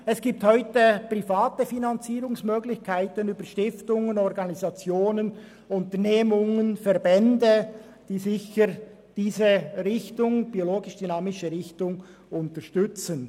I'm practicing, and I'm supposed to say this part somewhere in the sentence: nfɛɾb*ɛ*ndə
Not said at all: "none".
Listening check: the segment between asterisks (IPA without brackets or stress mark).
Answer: ɛ